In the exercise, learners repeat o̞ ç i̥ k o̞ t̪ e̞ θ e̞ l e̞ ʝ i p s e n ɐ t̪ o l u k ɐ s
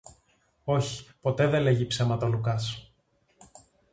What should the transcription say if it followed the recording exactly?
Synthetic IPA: o̞ ç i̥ p o̞ t̪ e̞ ð e̞ l e̞ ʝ i p s e m ɐ t̪ o l u k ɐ s